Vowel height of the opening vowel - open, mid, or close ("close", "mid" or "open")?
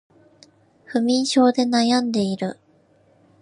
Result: close